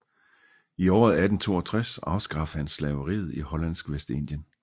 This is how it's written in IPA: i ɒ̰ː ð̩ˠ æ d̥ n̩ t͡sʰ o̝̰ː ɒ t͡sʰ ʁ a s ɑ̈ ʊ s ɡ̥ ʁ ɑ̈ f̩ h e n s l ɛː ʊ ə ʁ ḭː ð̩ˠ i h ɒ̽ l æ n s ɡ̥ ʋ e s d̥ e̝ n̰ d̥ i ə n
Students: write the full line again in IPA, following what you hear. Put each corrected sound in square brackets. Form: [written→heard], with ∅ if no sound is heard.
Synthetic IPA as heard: i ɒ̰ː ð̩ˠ æ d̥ n̩ t͡sʰ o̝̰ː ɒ t͡sʰ ʁ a s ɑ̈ ʊ s ɡ̥ ʁ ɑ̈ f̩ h [e→æ] n s l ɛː ʊ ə ʁ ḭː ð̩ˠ i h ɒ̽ l æ n s ɡ̥ ʋ e s d̥ e̝ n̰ d̥ [i→j] ə n